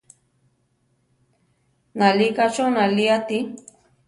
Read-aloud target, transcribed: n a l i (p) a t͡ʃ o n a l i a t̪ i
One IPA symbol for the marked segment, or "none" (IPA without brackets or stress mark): k